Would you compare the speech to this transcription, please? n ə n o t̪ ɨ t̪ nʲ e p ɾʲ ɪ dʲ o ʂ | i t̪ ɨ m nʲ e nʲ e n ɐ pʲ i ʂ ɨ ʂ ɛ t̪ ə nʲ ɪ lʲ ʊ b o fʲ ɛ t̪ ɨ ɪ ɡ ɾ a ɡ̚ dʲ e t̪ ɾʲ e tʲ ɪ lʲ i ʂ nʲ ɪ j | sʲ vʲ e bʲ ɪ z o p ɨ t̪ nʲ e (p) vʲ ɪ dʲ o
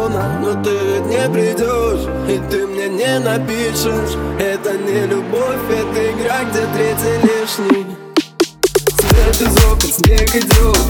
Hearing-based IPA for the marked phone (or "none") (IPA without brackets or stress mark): none